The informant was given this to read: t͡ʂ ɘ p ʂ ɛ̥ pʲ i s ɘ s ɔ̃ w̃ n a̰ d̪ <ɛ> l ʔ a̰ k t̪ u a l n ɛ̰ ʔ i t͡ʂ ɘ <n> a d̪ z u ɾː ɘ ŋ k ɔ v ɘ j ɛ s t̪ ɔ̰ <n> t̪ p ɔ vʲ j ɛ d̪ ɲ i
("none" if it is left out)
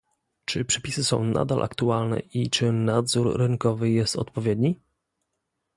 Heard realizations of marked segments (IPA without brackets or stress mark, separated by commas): a, n, none